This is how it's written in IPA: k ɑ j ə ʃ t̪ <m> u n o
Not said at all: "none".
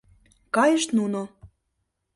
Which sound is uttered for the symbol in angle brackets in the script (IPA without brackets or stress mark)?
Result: n